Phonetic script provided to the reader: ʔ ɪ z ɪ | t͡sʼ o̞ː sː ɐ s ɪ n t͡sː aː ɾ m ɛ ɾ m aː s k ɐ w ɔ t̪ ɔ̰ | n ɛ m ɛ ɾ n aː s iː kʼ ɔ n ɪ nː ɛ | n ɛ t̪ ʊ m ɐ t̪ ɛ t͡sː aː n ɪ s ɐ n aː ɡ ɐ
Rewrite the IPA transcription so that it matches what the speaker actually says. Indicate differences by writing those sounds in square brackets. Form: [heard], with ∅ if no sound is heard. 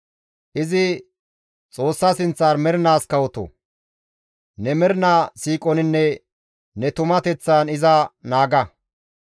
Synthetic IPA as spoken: ʔ ɪ z ɪ | t͡sʼ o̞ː sː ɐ s ɪ n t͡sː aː ɾ m ɛ ɾ [n] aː s k ɐ w ɔ t̪ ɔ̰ | n ɛ m ɛ ɾ n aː s iː kʼ ɔ n ɪ nː ɛ | n ɛ t̪ ʊ m ɐ t̪ ɛ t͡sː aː n ɪ [z] ɐ n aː ɡ ɐ